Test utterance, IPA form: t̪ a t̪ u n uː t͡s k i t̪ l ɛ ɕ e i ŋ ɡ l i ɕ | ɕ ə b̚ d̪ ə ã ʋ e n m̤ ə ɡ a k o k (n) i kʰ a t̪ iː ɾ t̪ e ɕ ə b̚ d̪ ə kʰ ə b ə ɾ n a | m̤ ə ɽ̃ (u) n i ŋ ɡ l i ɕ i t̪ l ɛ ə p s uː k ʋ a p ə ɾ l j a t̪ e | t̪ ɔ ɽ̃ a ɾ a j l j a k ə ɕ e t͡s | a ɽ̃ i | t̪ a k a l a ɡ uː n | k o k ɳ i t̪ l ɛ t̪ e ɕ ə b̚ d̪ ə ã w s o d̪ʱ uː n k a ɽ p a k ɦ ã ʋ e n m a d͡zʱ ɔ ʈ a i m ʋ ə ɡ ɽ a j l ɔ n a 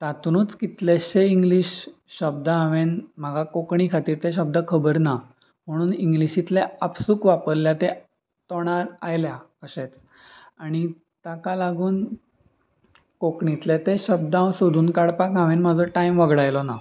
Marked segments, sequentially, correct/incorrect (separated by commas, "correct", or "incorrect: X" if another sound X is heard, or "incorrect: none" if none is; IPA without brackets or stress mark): incorrect: ɳ, incorrect: uː